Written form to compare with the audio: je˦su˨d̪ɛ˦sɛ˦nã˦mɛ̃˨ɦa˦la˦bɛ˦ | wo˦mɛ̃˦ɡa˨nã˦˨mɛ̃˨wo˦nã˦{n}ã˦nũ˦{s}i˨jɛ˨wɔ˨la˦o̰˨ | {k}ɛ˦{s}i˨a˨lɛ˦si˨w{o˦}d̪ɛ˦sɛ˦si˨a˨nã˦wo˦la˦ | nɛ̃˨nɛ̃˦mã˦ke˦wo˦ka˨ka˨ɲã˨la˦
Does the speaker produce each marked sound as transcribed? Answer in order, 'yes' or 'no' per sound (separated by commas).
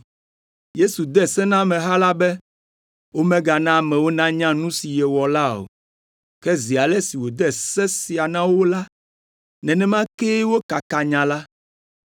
no, yes, yes, no, no